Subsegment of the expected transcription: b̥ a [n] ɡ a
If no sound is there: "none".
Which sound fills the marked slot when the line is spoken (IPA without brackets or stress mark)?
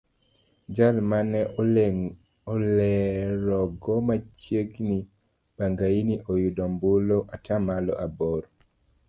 ŋ